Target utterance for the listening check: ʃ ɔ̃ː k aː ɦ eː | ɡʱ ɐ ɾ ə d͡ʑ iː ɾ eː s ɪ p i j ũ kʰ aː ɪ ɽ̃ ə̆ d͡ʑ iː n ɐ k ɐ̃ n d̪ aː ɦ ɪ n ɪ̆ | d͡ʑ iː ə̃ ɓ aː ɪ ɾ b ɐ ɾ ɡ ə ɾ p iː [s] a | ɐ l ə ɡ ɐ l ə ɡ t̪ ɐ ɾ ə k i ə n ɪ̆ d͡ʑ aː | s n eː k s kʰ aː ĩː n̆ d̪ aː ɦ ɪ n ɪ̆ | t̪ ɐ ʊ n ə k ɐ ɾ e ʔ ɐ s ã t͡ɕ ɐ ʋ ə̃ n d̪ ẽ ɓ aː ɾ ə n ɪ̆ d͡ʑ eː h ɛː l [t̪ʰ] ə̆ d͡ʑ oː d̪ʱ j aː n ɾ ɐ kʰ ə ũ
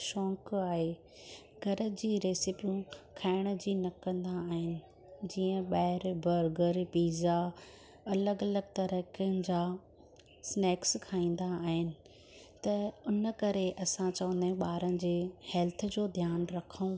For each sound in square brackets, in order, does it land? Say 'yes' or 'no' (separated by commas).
no, yes